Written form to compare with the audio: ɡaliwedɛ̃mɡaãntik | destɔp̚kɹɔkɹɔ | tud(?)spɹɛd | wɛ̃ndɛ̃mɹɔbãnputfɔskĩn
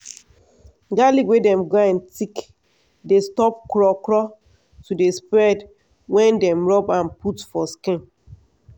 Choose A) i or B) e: B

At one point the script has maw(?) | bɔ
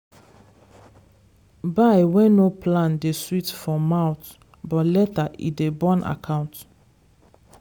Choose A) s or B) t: B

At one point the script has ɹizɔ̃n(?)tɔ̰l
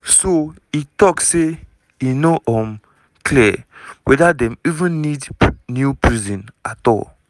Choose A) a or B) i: A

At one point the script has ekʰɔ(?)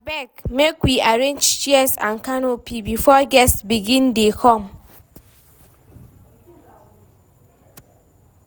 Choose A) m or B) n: A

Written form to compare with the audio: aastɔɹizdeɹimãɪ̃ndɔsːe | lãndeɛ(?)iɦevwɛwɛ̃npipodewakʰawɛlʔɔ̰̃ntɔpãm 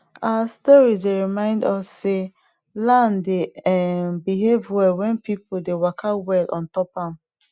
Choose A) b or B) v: A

